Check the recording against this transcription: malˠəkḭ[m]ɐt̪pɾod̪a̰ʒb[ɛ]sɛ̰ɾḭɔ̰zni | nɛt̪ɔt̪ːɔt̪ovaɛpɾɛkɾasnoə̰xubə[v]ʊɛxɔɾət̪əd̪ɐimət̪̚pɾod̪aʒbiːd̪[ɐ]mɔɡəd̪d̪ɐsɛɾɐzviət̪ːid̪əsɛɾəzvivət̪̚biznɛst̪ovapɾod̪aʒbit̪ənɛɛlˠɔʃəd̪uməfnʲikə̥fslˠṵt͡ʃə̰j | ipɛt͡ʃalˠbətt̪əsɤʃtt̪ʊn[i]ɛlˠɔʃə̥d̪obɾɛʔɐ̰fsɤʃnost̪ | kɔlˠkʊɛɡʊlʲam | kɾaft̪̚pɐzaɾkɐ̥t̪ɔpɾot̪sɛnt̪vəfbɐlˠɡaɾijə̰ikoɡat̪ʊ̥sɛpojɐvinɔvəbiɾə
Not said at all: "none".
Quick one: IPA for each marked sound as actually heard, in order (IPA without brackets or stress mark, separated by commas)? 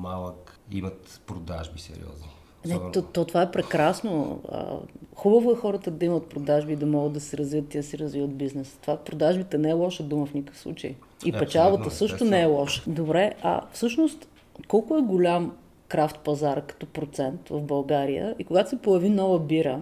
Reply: m, i, v, ɐ, ɛ